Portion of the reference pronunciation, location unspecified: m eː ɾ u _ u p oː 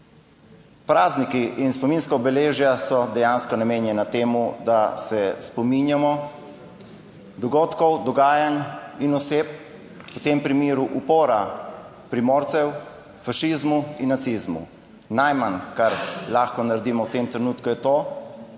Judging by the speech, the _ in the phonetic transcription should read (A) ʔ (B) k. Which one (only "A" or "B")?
A